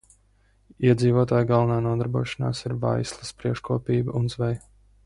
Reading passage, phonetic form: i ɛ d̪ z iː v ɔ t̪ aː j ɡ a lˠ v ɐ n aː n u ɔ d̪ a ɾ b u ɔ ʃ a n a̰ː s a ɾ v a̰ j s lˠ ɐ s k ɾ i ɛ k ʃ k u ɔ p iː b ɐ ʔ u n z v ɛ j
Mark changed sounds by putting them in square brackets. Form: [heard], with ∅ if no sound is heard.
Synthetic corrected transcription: i ɛ d̪ z iː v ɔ t̪ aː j ɡ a lˠ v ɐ n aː n u ɔ d̪ a ɾ b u ɔ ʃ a n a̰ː s [i] ɾ v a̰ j s lˠ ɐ s [p] ɾ i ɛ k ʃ k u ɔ p iː b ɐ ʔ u n z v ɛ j